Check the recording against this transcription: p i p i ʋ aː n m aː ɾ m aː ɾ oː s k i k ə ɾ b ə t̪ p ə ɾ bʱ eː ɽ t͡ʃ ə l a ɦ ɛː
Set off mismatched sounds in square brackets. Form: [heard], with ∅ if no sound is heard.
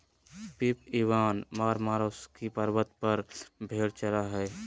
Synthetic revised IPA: p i p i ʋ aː n m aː ɾ m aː ɾ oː s k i [p] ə ɾ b ə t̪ p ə ɾ bʱ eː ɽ t͡ʃ ə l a ɦ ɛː